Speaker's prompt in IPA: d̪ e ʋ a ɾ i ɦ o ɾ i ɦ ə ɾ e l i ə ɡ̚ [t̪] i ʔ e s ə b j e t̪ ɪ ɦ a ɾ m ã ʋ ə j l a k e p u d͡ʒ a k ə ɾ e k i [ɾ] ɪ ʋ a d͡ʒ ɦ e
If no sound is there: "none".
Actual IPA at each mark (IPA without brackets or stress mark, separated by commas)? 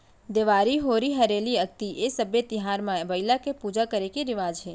t̪, ɾ